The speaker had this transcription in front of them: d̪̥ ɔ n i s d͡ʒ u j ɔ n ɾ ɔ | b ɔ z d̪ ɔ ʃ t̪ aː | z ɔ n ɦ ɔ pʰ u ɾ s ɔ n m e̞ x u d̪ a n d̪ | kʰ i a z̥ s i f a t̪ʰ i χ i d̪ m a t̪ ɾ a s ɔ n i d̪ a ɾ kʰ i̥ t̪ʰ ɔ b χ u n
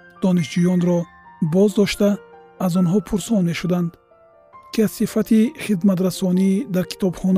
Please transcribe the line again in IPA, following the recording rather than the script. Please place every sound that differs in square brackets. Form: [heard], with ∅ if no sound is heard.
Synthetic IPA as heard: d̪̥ ɔ n i [ʃ] d͡ʒ u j ɔ n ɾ ɔ | b ɔ z d̪ ɔ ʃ t̪ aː | z ɔ n ɦ ɔ pʰ u ɾ s ɔ n m e̞ [ʃ] u d̪ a n d̪ | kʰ i a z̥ s i f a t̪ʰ i χ i d̪ m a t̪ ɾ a s ɔ n i d̪ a ɾ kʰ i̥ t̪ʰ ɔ b χ [ɔ] n